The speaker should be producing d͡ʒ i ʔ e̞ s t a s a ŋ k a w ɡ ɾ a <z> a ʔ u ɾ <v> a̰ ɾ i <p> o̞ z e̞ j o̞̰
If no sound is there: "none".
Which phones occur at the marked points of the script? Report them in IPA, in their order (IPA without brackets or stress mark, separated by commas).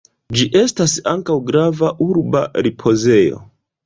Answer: v, b, pʰ